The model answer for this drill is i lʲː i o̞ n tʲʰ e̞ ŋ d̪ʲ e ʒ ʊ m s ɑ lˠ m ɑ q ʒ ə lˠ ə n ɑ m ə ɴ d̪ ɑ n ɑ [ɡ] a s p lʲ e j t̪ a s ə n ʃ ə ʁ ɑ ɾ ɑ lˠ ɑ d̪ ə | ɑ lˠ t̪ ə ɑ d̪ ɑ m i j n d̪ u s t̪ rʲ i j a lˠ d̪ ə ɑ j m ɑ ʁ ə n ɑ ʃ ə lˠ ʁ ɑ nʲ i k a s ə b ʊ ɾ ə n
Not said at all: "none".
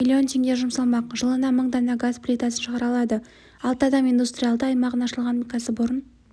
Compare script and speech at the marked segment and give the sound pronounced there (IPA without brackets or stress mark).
ɡ